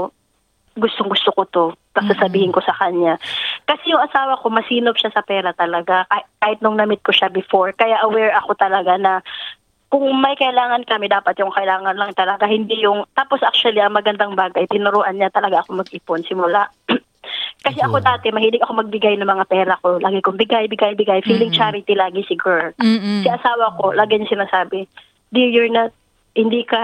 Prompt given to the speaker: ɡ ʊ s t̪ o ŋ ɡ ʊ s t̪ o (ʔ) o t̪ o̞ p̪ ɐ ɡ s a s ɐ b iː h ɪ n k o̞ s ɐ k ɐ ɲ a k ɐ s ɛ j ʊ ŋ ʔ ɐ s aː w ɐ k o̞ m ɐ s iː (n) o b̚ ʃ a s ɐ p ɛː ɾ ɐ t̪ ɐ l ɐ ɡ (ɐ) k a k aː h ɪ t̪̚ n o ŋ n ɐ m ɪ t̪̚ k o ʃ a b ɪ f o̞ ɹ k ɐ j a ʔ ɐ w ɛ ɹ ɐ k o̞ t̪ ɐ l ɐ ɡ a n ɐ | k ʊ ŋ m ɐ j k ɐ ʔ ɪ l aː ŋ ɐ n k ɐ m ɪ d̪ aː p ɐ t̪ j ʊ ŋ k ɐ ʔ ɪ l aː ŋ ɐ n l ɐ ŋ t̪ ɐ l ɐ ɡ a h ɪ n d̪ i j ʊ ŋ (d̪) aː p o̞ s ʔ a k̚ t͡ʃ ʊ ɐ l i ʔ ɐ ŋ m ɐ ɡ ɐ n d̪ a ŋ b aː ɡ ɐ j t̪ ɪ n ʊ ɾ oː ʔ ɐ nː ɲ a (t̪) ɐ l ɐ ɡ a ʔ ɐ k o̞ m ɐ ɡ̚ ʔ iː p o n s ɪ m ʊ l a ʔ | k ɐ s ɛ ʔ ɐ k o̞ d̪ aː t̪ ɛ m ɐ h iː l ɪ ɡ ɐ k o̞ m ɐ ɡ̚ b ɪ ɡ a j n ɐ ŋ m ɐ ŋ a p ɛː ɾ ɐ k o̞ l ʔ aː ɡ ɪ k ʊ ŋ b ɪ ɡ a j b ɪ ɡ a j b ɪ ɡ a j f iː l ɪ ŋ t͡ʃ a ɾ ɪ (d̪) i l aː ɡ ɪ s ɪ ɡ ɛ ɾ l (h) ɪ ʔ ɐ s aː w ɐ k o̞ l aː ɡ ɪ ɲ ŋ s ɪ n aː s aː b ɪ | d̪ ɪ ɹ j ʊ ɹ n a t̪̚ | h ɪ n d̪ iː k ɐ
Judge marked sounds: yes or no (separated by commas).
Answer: no, yes, no, no, yes, no, no